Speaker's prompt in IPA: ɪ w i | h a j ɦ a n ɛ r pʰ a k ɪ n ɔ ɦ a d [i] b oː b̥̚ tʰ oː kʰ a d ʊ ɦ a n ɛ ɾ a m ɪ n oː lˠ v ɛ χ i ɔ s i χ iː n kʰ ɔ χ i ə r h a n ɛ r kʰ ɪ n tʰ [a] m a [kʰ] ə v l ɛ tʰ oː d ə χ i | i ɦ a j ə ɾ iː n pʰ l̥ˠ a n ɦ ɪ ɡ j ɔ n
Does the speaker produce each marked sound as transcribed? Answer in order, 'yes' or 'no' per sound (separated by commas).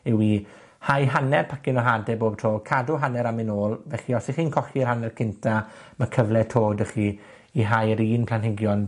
no, yes, yes